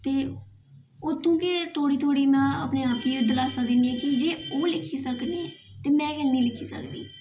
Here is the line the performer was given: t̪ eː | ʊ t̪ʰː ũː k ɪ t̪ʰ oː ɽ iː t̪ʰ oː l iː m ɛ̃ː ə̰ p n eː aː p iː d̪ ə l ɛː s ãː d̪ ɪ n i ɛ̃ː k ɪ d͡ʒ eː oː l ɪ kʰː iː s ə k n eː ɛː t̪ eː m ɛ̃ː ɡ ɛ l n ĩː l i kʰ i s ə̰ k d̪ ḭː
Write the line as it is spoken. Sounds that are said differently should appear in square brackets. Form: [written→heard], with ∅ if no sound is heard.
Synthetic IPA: t̪ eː | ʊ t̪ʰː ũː k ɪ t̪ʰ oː ɽ iː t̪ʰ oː [l→ɽ] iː m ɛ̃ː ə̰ p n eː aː p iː d̪ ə l [ɛː→aː] s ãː d̪ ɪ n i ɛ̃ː k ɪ d͡ʒ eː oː l ɪ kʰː iː s ə k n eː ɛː t̪ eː m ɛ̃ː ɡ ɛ l n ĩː l [i→ɪ] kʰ [i→iː] s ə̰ k d̪ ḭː